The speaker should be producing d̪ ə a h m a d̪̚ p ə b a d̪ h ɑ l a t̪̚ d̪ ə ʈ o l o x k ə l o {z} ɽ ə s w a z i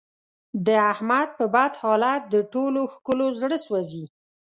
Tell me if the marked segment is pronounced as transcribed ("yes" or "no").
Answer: yes